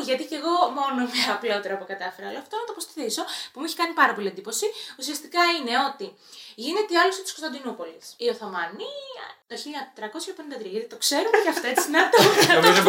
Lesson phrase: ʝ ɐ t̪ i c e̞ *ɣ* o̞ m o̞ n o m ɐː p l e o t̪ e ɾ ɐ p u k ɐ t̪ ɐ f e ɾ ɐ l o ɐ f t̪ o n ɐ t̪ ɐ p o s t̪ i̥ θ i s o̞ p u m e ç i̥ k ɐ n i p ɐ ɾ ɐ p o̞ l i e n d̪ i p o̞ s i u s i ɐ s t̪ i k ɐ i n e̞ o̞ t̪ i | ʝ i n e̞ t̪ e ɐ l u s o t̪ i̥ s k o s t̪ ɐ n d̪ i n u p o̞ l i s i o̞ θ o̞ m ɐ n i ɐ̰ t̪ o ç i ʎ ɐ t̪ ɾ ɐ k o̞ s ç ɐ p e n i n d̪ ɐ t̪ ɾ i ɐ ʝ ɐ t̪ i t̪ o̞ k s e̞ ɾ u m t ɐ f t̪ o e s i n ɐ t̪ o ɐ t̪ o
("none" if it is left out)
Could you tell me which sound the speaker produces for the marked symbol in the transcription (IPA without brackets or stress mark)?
ɣ